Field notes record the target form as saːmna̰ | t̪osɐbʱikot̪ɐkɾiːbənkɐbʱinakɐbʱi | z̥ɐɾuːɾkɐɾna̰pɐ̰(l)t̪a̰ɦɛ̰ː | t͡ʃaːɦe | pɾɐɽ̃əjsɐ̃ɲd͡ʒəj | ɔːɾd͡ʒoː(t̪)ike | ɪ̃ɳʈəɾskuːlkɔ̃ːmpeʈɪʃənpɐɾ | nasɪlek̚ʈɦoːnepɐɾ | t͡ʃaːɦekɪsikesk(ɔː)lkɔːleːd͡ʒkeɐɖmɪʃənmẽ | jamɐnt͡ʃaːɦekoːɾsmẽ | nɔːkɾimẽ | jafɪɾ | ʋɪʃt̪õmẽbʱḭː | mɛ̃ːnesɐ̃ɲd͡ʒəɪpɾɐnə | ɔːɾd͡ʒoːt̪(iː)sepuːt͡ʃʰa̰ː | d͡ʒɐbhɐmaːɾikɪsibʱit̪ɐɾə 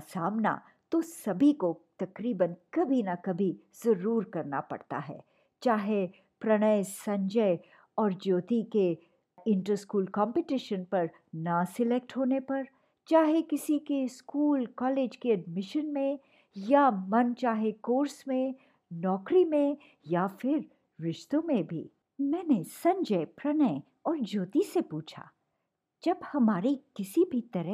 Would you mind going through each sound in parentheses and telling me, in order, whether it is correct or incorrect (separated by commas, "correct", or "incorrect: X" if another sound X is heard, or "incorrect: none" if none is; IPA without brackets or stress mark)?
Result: incorrect: ɽ, correct, incorrect: uː, incorrect: i